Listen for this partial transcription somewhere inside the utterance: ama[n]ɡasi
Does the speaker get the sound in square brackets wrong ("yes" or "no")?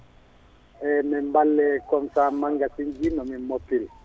yes